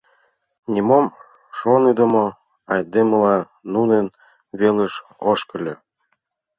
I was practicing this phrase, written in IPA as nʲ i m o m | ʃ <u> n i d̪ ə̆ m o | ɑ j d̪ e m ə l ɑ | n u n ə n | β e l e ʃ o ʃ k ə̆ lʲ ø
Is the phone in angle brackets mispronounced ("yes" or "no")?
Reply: yes